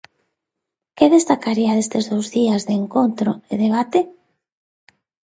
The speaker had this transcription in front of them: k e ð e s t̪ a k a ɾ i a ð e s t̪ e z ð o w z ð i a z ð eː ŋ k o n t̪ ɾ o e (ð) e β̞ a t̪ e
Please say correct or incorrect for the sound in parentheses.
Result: correct